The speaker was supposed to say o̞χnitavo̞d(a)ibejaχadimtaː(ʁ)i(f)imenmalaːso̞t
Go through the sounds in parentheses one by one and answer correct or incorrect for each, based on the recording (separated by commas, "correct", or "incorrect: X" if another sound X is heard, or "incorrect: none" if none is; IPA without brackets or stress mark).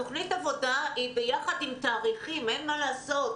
correct, correct, incorrect: χ